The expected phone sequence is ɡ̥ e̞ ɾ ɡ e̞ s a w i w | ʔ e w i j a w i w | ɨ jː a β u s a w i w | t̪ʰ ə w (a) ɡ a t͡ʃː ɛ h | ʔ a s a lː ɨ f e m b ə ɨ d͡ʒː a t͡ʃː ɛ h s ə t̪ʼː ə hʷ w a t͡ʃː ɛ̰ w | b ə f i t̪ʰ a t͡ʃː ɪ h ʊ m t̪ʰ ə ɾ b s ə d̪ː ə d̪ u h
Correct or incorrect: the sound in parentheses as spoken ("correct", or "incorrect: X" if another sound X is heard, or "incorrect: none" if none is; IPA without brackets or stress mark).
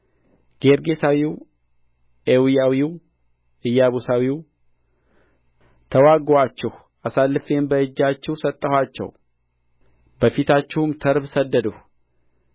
correct